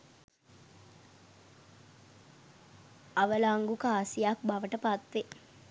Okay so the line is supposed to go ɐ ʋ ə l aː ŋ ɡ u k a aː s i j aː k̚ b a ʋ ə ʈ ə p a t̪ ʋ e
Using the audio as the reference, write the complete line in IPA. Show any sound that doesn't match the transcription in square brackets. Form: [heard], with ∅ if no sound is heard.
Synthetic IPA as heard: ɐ ʋ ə l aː ŋ ɡ u k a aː s i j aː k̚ b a ʋ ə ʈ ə p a t̪ ʋ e